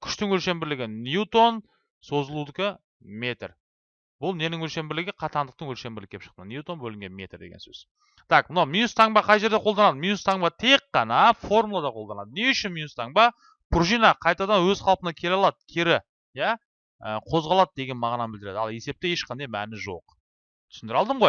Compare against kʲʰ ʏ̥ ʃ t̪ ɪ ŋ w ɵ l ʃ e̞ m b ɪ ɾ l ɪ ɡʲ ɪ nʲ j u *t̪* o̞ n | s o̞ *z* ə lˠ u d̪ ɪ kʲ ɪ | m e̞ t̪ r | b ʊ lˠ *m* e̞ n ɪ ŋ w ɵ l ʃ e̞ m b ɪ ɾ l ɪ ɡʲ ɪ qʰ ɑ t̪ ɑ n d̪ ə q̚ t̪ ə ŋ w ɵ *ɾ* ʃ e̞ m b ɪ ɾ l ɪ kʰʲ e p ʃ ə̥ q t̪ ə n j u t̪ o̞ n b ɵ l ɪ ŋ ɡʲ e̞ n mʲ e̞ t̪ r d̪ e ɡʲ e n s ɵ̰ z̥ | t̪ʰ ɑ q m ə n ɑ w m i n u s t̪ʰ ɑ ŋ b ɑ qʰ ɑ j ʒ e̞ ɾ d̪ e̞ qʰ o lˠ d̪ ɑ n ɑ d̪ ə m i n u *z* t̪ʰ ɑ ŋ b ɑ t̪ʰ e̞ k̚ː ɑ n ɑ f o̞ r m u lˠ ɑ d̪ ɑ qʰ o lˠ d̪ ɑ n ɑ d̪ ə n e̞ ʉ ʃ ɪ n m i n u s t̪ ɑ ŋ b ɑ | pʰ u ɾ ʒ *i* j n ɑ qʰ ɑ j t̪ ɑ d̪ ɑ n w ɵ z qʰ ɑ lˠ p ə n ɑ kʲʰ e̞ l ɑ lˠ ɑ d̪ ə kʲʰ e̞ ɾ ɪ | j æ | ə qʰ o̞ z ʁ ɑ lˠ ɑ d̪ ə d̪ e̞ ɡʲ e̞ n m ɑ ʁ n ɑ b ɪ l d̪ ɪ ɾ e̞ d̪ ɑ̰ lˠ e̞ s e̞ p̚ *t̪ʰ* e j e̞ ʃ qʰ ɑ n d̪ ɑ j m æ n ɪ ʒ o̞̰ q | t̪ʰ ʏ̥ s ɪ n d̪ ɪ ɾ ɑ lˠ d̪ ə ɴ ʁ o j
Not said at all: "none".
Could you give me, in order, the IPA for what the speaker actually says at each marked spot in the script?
t̪, z, n, l, s, i, t̪

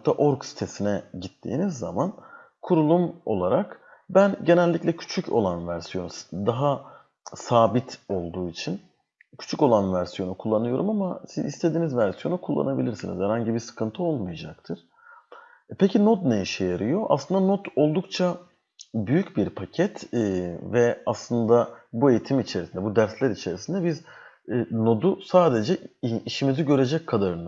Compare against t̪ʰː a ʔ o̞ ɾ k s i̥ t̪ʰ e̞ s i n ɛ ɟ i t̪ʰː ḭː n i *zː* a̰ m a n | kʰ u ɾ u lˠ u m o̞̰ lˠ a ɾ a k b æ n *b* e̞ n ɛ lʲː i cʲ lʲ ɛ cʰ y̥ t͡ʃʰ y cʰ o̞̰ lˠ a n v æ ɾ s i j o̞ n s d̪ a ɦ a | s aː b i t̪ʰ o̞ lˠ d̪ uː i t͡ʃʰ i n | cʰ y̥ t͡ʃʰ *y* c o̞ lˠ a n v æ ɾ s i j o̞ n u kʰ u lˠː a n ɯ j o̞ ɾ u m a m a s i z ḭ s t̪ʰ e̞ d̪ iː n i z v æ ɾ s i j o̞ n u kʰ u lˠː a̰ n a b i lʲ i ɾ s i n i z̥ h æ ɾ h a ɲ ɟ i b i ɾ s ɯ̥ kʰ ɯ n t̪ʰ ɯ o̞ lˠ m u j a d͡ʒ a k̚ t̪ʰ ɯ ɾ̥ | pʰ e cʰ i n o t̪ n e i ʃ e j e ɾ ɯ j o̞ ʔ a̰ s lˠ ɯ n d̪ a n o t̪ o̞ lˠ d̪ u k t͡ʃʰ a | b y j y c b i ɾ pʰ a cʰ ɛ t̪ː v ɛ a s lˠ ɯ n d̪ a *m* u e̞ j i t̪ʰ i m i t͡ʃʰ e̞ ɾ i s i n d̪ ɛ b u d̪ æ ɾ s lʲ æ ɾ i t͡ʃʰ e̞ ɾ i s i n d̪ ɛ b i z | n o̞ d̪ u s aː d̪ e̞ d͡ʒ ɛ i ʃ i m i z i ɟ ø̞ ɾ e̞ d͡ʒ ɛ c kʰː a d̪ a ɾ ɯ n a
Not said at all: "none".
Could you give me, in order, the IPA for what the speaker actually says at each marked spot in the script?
zː, ɟ, y, b

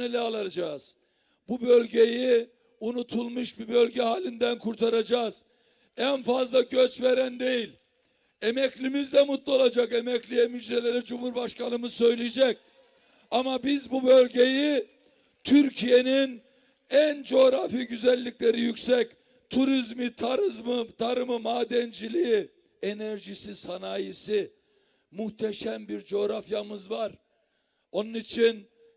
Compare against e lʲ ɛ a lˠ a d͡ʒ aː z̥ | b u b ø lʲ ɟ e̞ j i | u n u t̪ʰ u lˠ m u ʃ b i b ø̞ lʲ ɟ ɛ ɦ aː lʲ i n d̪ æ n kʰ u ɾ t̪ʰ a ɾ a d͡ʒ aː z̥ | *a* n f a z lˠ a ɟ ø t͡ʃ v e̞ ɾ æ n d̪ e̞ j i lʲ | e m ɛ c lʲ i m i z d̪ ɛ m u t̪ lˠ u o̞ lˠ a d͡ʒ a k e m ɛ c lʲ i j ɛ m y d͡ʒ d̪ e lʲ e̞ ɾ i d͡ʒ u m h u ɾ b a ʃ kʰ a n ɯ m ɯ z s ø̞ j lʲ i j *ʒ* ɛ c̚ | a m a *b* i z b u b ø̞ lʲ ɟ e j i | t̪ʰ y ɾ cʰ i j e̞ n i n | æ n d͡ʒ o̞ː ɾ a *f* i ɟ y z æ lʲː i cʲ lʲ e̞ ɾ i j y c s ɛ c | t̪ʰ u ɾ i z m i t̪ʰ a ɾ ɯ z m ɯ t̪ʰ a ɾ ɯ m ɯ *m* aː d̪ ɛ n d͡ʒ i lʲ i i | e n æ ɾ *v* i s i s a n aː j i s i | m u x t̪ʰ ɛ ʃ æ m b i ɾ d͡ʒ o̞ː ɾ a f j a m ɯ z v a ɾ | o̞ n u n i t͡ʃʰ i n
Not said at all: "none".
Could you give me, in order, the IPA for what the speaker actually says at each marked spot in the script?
æ, d͡ʒ, b, f, m, ʒ

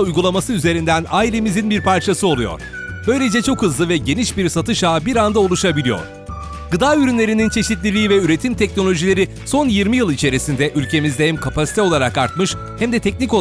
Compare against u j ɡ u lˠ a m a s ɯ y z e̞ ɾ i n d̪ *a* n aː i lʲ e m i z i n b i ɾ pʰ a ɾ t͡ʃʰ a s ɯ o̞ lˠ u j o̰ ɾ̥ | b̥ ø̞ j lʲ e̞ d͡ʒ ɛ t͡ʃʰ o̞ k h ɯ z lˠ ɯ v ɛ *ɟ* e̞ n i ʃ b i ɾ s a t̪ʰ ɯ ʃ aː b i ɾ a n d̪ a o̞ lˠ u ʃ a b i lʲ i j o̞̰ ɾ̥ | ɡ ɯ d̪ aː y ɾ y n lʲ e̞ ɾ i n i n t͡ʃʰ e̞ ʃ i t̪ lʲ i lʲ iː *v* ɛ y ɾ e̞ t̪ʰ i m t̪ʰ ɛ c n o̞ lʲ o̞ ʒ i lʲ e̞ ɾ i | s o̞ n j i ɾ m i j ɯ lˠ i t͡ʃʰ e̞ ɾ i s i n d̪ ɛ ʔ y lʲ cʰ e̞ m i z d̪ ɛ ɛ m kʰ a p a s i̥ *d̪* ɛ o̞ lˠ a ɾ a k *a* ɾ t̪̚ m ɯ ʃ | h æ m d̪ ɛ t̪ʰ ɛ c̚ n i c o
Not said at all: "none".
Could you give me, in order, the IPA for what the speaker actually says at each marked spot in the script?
æ, ɟ, v, t̪, a

